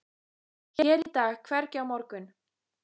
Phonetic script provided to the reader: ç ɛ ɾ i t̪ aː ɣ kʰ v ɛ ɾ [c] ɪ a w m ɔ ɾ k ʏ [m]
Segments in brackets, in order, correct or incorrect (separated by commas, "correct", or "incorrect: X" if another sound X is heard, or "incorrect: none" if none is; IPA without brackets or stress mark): correct, incorrect: n